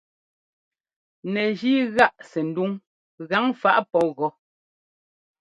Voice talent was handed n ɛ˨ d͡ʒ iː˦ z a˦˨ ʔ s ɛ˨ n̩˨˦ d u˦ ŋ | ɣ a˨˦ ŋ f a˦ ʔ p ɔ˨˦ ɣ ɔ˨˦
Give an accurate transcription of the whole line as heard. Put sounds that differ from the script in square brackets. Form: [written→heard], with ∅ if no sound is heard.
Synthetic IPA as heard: n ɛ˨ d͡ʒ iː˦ [z→ɣ] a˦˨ ʔ s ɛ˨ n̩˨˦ d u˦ ŋ | ɣ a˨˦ ŋ f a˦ ʔ p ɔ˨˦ ɣ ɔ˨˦